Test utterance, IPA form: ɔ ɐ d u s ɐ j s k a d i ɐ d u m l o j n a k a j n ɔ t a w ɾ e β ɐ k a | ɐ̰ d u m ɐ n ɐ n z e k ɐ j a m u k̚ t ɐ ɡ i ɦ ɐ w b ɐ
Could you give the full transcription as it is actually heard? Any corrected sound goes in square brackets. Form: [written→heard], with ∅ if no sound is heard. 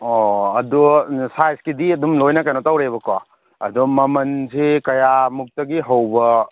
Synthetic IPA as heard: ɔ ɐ d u s [ɐ→a] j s k [a→i] d i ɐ d u m l o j n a k a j n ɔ t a w ɾ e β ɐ k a | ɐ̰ d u m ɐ [n→m] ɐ n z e k ɐ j a m u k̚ t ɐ ɡ i ɦ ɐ w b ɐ

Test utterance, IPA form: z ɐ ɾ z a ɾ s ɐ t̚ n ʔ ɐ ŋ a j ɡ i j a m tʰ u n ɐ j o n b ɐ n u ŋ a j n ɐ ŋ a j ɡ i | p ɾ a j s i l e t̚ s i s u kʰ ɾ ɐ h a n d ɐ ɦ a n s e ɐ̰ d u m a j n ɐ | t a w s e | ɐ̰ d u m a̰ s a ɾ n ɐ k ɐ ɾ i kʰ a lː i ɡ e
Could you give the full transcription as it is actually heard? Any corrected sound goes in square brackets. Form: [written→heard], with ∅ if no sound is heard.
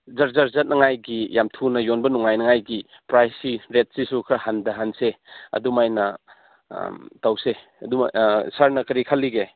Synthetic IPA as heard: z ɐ ɾ z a ɾ [s→z] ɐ t̚ n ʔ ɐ ŋ a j ɡ i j a m tʰ u n ɐ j o n b ɐ n u ŋ a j n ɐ ŋ a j ɡ i | p ɾ a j s i [l→ɾ] e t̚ s i s u kʰ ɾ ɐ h a n d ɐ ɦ a n s e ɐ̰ d u m a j n ɐ | t a w s e | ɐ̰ d u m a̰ s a ɾ n ɐ k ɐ ɾ i kʰ a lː i ɡ e

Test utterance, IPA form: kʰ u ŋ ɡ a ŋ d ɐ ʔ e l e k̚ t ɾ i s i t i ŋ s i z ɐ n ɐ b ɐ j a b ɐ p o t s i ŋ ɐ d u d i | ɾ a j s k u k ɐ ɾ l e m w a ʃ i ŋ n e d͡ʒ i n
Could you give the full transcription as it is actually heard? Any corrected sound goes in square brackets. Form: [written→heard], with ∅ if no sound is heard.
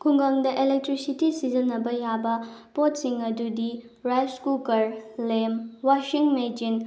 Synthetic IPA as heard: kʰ u ŋ ɡ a ŋ d ɐ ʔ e l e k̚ t ɾ i s i t i [ŋ→∅] s i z ɐ n ɐ b ɐ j a b ɐ p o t s i ŋ ɐ d u d i | ɾ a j s k u k ɐ ɾ l e m w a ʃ i ŋ [n→m] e d͡ʒ i n

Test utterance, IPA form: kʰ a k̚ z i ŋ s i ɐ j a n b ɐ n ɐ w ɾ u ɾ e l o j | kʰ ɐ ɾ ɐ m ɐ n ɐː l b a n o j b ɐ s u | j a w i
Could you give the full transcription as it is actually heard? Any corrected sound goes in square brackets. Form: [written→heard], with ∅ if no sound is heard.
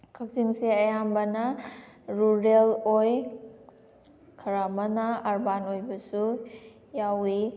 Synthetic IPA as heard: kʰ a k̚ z i ŋ s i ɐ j a [n→m] b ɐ n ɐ [w→∅] ɾ u ɾ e l o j | kʰ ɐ ɾ [ɐ→a] m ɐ n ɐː [l→ɾ] b a n o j b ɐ s u | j a w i

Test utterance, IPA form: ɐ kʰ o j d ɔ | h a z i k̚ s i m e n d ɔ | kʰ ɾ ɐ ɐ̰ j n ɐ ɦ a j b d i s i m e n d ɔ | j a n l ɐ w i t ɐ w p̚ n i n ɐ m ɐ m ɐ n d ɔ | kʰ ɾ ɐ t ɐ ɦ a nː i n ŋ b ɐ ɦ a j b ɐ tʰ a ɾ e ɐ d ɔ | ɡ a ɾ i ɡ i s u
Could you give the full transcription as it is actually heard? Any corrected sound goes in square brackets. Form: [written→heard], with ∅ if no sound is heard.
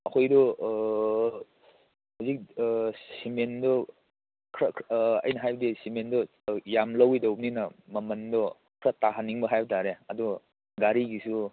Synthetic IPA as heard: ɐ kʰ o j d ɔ | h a z i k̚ s i m e n d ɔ | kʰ ɾ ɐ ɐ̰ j n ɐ ɦ a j b d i s i m e n d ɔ | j a [n→m] l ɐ w i [t→d] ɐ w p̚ n i n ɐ m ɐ m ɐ n d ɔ | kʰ ɾ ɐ t [ɐ→a] ɦ a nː i [n→∅] ŋ b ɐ ɦ a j b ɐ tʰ a ɾ e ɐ d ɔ | ɡ a ɾ i ɡ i s u

